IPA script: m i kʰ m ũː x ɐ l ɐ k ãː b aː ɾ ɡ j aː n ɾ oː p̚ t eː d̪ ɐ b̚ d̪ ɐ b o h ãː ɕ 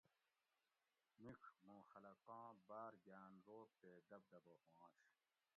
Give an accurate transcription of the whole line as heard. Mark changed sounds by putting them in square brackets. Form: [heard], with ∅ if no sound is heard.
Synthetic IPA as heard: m i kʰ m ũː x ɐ l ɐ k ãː b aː ɾ ɡ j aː n ɾ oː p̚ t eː d̪ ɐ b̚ d̪ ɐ b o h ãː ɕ